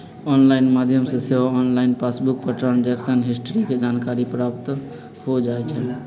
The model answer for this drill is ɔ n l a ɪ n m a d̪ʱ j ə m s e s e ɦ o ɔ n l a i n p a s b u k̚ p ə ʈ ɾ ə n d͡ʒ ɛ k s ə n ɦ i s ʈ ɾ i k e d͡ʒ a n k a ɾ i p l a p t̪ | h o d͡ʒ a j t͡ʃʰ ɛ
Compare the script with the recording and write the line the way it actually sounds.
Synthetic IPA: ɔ n l a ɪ n m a d̪ʱ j ə m s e s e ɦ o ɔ n l a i n p a s b u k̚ p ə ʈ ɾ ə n d͡ʒ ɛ k s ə n ɦ i s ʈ ɾ i k e d͡ʒ a n k a ɾ i p ɾ a p t̪ | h o d͡ʒ a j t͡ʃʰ ɛ